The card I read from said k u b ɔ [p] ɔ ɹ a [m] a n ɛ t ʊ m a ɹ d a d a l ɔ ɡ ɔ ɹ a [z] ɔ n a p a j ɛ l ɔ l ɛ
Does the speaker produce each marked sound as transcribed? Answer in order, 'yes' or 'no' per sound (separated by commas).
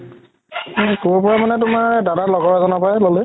yes, yes, yes